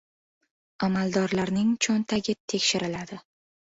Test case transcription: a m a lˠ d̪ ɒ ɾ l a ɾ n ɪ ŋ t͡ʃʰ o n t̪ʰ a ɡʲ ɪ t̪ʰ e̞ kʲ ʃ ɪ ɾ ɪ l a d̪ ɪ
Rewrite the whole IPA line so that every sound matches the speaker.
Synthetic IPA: a m a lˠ d̪ ɒ ɾ l a ɾ n ɪ ŋ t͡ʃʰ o n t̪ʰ a ɡʲ ɪ t̪ʰ e̞ kʲ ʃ ɪ ɾ ɪ l a d̪ ɪ